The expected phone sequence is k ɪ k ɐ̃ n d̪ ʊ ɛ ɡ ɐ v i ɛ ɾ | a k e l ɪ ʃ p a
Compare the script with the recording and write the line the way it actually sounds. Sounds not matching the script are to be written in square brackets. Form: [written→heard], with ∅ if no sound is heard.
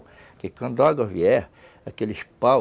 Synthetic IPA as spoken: k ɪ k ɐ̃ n d̪ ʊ [ɛ→a] ɡ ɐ v i ɛ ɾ | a k e l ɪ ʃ p a